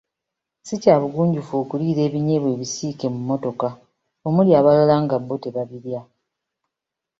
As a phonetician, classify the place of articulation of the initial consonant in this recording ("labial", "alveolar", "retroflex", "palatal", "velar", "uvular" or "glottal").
alveolar